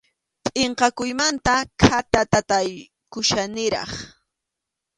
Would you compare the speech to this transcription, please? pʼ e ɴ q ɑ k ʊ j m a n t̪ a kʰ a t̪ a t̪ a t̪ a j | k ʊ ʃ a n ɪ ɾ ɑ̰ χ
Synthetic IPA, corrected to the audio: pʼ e ɴ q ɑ k ʊ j m a n t̪ a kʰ a t̪ a t̪ a t̪ a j | k ʊ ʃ a n ɪ ɾ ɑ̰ χ